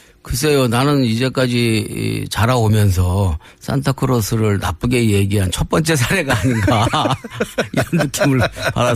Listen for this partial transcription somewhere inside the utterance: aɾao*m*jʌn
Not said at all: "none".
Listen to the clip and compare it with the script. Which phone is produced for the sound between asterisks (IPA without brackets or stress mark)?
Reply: m